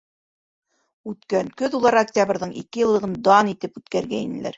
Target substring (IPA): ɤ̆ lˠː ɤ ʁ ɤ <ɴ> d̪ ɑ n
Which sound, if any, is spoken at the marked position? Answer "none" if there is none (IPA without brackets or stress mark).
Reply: n